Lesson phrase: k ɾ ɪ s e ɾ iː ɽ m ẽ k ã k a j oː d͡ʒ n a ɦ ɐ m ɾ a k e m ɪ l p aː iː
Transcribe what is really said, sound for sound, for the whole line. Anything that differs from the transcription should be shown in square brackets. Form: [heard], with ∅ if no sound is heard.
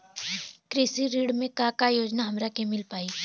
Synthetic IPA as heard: k ɾ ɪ s [i] ɾ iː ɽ m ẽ k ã k a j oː d͡ʒ n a ɦ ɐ m ɾ a k e m ɪ l p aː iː